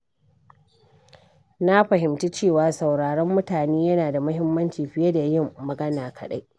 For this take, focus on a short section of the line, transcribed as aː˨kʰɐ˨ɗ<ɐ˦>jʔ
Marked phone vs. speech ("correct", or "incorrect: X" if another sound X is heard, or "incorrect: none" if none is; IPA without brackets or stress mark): incorrect: a˦